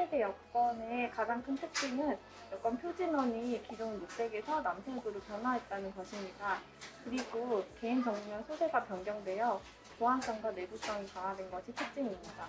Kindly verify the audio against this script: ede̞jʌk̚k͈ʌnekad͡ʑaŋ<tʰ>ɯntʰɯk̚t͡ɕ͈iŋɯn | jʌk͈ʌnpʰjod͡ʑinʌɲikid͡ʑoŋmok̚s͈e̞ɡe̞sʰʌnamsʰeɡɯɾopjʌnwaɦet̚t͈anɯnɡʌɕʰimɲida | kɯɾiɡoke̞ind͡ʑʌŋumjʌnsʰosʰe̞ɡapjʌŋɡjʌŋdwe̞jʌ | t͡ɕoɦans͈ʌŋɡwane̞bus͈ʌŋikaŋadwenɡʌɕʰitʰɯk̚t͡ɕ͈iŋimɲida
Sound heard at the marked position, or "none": kʰ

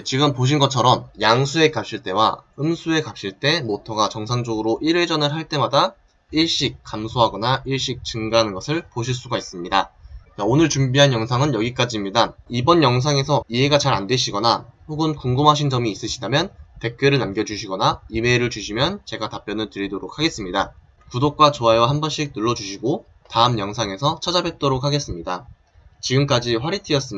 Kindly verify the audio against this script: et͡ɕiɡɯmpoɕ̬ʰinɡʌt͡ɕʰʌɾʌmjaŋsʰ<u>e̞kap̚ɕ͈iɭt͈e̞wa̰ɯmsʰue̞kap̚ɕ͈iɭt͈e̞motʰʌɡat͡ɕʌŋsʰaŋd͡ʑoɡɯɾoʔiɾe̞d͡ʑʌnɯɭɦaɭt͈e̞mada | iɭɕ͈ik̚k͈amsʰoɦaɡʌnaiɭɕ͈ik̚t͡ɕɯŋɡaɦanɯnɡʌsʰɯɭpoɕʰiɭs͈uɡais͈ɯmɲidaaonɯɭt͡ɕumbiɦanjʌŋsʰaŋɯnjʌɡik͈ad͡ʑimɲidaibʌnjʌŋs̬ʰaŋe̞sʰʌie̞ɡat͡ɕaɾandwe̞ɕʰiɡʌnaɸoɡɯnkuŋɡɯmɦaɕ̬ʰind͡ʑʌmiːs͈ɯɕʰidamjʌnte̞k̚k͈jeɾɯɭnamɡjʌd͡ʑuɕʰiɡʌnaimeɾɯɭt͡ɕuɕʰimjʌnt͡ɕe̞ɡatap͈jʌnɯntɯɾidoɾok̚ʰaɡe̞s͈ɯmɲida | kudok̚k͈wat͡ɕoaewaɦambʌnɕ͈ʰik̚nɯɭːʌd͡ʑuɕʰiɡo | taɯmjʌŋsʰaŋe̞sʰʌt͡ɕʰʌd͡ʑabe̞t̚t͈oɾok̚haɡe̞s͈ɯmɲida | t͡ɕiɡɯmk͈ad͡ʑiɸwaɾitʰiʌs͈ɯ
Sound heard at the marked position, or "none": u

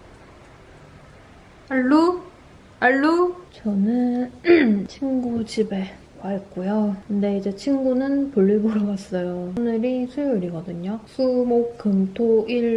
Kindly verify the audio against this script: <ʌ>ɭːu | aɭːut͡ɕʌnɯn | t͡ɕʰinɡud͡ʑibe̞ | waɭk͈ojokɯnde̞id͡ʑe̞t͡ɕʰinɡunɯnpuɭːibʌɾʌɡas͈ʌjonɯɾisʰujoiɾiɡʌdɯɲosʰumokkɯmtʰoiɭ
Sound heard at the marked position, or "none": a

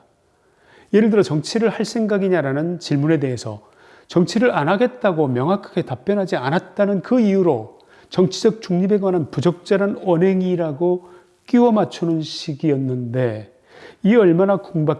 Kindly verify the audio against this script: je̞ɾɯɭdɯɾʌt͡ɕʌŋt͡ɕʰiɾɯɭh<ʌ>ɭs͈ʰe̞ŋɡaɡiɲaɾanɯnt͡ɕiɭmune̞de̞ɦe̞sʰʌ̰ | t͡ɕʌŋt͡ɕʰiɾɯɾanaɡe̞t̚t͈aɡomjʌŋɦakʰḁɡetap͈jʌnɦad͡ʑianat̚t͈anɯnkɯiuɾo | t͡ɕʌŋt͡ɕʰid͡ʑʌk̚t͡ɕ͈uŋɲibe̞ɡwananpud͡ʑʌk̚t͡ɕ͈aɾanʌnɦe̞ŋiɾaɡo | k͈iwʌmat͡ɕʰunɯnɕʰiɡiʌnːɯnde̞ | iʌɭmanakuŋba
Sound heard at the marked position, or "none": a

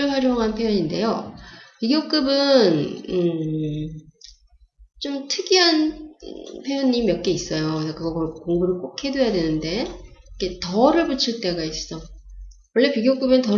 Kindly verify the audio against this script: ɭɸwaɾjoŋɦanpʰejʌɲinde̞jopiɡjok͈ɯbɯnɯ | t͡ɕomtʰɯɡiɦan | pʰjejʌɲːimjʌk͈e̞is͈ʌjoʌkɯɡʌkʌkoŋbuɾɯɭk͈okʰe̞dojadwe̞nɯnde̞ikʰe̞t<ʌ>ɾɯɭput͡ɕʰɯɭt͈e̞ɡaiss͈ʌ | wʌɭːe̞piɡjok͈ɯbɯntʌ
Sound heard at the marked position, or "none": ʌ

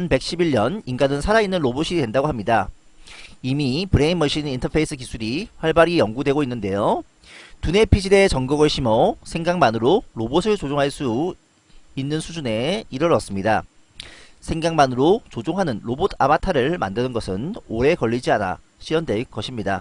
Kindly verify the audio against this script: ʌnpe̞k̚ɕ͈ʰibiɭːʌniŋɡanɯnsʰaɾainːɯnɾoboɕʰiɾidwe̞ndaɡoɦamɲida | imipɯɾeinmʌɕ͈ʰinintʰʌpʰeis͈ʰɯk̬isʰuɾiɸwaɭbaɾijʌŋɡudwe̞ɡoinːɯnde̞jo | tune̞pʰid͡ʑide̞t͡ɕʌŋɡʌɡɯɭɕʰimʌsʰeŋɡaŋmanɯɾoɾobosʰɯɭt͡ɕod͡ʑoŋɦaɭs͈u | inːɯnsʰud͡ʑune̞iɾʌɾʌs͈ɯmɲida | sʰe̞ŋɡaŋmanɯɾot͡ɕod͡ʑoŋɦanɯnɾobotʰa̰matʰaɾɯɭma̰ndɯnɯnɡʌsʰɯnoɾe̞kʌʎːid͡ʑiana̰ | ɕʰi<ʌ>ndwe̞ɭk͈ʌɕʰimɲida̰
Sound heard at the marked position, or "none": ʌ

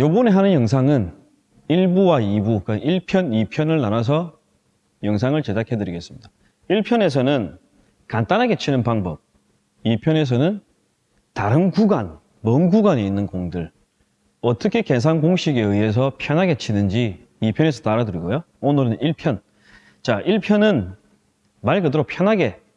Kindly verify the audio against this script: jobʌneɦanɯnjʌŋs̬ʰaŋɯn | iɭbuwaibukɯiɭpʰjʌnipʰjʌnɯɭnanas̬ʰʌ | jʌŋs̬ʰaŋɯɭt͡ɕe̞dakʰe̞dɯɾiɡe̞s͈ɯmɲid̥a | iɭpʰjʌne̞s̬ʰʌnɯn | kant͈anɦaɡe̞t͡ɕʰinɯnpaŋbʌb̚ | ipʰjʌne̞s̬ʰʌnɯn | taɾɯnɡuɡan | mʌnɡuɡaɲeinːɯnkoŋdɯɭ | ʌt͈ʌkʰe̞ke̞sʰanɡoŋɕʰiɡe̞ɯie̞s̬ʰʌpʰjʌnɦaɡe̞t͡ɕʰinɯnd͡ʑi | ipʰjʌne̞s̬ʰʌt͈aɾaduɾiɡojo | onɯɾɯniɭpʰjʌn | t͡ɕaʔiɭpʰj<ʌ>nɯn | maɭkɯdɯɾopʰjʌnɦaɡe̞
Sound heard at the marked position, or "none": ʌ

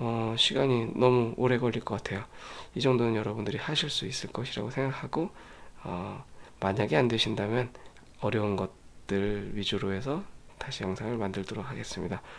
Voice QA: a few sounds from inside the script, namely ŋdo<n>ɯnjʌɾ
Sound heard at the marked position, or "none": n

